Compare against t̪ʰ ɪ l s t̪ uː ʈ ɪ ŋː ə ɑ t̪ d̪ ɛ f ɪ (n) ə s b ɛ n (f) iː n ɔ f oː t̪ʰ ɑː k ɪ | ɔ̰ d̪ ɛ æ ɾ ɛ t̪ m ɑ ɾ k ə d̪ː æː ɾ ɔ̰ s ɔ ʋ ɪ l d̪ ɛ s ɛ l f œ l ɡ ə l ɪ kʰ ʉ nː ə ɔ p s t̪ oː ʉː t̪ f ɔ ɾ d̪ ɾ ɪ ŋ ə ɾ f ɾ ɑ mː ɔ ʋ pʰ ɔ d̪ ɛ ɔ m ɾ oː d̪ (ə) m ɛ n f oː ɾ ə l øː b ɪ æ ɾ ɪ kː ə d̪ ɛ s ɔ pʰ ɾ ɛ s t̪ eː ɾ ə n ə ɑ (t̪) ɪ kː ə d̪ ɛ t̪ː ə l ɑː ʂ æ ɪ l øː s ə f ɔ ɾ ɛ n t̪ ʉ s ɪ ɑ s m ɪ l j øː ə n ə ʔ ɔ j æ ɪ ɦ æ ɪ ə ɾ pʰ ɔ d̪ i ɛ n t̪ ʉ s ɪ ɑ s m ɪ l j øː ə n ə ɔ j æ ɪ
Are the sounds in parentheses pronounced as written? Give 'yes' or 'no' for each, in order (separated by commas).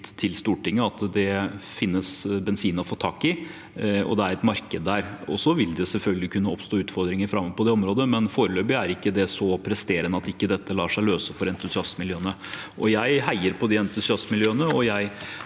no, no, yes, yes